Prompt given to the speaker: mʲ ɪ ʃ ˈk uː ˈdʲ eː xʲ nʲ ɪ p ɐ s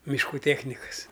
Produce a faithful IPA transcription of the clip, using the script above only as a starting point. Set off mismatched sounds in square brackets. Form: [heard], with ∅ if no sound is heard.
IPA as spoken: mʲ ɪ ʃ ˈk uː [ˈtʲ] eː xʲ nʲ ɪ [k] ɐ s